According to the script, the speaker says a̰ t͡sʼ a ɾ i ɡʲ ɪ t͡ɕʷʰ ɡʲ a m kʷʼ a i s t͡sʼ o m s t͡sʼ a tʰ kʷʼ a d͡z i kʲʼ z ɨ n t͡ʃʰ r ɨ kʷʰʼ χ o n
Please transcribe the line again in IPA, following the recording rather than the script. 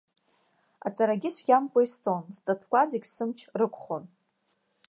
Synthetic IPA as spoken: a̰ t͡sʼ a ɾ a ɡʲ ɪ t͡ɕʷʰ ɡʲ a m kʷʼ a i s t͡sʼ o n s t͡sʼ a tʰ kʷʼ a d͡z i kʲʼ s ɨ m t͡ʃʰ r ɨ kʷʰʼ χ o n

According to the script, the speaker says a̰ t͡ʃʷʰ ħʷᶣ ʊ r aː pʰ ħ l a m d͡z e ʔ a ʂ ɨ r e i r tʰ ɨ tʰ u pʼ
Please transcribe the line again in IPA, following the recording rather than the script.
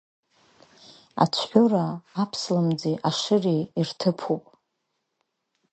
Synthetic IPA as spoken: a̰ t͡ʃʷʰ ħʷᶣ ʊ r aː pʰ s l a m d͡z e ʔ a ʂ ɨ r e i r tʰ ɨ pʰ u pʼ

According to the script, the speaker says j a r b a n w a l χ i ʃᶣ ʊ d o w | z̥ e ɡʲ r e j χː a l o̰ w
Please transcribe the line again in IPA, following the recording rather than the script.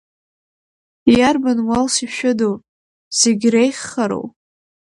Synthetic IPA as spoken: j a r b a n w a l s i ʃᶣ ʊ d o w | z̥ e ɡʲ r e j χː a ɾ o̰ w

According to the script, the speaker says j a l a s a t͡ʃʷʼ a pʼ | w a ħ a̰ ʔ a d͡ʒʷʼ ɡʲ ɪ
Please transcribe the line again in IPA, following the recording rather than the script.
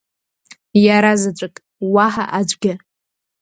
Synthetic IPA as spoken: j a ɾ a z a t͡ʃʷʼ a kʼ | w a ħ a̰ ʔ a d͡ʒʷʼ ɡʲ ɪ

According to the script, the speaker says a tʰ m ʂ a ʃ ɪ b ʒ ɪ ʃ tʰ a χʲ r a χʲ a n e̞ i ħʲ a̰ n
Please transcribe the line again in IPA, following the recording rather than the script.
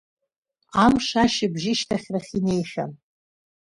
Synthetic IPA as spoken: a m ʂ a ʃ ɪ b ʒ ɪ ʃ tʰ a χʲ r a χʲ i n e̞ j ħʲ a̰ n

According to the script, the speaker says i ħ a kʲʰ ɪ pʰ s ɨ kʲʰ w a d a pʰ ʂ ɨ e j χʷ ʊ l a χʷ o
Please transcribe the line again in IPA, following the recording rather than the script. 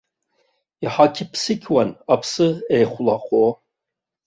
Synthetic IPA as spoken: i ħ a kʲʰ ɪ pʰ s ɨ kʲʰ w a n a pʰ s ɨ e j χʷ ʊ l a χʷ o

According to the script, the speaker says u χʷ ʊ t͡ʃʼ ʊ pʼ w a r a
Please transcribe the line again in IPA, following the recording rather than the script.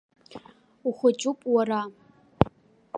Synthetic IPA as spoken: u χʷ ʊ t͡ʃʼ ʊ pʼ w a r a

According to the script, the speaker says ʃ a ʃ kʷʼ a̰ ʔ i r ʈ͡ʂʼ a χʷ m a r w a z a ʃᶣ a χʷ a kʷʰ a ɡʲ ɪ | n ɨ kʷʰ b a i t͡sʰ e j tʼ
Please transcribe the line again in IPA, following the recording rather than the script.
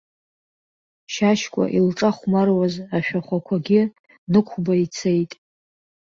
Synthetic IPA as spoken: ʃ a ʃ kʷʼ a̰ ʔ i l ʈ͡ʂʼ a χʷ m a r w a z a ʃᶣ a χʷ a kʷʰ a ɡʲ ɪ | n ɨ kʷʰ b a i t͡sʰ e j tʼ

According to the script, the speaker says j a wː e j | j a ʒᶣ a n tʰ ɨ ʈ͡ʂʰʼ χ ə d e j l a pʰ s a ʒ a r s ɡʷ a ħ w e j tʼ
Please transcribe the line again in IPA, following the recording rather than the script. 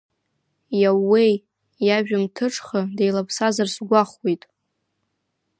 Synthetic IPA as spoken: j a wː e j | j a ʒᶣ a m tʰ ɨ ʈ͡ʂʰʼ χ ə d e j l a pʰ s a z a r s ɡʷ a χ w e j tʼ

